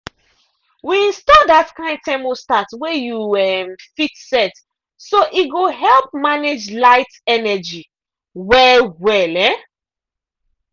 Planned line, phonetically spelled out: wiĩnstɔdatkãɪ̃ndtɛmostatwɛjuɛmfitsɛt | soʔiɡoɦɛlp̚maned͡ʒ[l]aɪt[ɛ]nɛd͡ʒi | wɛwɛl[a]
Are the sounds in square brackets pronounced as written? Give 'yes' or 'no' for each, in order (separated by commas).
yes, yes, no